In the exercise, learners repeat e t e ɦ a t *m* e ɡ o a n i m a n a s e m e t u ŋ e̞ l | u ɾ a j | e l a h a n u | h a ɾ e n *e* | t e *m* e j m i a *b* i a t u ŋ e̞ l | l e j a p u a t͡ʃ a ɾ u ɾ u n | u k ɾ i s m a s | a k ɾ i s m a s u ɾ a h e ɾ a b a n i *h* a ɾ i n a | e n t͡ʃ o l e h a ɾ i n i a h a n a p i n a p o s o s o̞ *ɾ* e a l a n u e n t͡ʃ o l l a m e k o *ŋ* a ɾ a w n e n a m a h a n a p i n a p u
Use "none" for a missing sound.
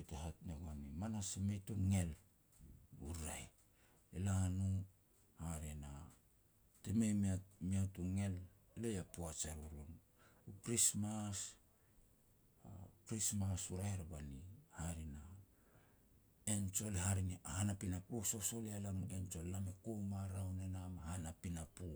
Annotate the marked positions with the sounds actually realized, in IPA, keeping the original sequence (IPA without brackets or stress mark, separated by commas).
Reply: n, a, m, m, h, l, m